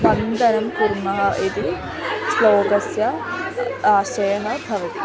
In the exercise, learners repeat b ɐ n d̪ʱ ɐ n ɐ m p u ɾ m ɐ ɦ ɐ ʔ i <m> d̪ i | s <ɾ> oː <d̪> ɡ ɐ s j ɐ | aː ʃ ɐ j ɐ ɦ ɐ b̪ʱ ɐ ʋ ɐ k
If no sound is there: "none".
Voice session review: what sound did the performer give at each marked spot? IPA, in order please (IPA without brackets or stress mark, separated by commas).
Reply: none, l, none